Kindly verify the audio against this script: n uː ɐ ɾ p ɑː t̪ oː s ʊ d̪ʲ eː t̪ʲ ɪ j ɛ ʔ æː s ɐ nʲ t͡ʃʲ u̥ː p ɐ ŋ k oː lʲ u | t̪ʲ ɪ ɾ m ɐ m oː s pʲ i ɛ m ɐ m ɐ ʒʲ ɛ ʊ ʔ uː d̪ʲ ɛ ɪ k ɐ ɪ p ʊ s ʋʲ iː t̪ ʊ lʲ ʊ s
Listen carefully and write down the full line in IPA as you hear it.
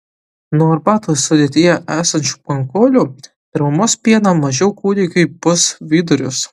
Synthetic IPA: n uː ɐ ɾ b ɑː t̪ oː s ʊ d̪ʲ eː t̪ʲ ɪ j ɛ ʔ æː s ɐ nʲ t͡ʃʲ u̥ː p ɐ ŋ k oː lʲ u | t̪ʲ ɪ ɾ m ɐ m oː s pʲ i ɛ n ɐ m ɐ ʒʲ ɛ ʊ k uː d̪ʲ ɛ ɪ k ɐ ɪ p ʊ s ʋʲ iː d̪ ʊ ɾʲ ʊ s